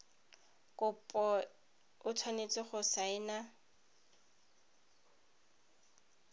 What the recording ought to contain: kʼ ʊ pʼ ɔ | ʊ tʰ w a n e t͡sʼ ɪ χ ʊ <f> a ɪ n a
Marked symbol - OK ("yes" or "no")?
no